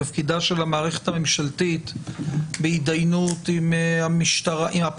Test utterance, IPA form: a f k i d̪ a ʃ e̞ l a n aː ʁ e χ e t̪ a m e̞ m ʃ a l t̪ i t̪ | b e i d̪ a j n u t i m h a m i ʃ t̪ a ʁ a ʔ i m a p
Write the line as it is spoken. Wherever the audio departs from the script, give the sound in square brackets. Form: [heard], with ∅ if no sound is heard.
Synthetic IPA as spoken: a f k i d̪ a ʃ e̞ l a [m] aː ʁ e χ e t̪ a m e̞ m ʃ a l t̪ i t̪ | b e i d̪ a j n u t i m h a m i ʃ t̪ a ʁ a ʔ i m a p